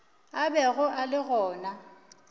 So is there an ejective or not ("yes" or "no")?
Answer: no